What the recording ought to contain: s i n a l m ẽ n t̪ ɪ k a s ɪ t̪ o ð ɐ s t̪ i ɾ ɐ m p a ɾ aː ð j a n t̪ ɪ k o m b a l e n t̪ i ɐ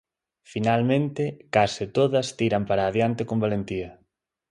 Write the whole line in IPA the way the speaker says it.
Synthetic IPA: f i n a l m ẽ n t̪ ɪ k a s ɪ t̪ o ð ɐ s t̪ i ɾ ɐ m p a ɾ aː ð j a n t̪ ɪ k o m b a l e n t̪ i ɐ

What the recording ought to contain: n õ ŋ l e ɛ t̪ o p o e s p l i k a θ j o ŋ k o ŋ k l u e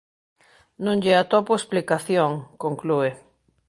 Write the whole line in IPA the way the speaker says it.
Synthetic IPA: n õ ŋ ʎ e a t̪ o p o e s p l i k a θ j o ŋ k o ŋ k l u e

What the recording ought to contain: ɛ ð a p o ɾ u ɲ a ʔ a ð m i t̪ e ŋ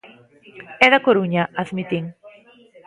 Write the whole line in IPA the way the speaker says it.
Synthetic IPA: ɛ ð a k o ɾ u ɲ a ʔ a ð m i t̪ i ŋ

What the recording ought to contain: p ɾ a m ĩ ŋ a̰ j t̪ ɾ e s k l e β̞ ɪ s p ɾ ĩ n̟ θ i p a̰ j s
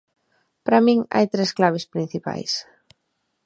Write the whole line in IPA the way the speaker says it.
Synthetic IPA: p ɾ a m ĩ ŋ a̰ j t̪ ɾ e s k l a β̞ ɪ s p ɾ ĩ n̟ θ i p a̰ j s

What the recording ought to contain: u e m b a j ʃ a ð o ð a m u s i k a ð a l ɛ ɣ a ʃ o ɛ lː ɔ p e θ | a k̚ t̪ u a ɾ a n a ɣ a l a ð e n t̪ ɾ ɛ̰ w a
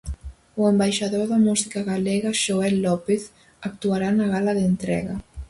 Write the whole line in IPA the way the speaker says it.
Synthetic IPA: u e m b a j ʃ a ð o ð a m u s i k a ɣ a l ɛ ɣ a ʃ o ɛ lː ɔ p e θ | a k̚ t̪ u a ɾ a n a ɣ a l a ð e n t̪ ɾ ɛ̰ ɣ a

